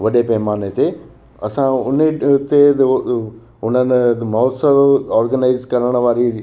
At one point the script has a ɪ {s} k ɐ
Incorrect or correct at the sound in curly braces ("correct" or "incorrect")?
incorrect